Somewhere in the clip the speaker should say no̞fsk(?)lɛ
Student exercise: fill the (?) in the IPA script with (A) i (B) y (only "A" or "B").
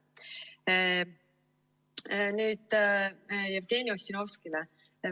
A